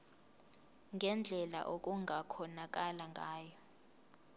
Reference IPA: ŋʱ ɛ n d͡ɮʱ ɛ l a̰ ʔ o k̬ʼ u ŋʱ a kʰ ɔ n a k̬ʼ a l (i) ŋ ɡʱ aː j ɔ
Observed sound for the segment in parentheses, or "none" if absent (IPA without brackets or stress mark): a